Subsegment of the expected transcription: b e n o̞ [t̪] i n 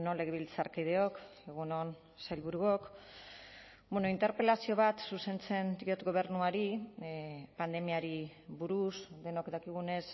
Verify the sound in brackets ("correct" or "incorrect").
incorrect